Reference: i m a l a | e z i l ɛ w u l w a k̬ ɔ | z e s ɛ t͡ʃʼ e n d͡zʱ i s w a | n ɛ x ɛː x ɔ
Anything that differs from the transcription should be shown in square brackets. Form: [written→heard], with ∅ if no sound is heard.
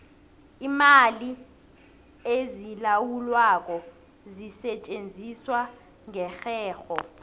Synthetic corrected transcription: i m a l [a→i] | e z i l [ɛ→a] w u l w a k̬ ɔ | z [e→i] s ɛ t͡ʃʼ e n d͡zʱ i s w a | [n→ŋ] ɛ x ɛː x ɔ